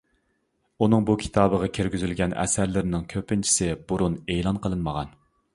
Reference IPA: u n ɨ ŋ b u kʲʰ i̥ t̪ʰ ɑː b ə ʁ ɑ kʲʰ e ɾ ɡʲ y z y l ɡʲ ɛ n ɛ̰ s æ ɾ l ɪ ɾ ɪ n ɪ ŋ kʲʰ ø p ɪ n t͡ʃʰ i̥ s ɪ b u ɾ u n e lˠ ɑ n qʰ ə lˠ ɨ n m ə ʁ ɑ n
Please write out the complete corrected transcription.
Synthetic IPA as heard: u n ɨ ŋ b u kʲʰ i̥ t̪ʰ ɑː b ə ʁ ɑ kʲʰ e ɾ ɡʲ y z y l ɡʲ ɛ n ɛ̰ s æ ɾ l ɪ ɾ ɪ n ɪ ŋ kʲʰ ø p ɪ n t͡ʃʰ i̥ s ɪ b u ɾ u n e lˠ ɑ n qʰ ə lˠ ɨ n m ə ʁ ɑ n